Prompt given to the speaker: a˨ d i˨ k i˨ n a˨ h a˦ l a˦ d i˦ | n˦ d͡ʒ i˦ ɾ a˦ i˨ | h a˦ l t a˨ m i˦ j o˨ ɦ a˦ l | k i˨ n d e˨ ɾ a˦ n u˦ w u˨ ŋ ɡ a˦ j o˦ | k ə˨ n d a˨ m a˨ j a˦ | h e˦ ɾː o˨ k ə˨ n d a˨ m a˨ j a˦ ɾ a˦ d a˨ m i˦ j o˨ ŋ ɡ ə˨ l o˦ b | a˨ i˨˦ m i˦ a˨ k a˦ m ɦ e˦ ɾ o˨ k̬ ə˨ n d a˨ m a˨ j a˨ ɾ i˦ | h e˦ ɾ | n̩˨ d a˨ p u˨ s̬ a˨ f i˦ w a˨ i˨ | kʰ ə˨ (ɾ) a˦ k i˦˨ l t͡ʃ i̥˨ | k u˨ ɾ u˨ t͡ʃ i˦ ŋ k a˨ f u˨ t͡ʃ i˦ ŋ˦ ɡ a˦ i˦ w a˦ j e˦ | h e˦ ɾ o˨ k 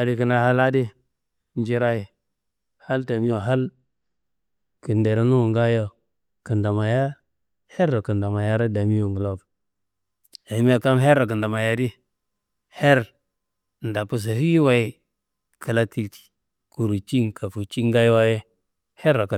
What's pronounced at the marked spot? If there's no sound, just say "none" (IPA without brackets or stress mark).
l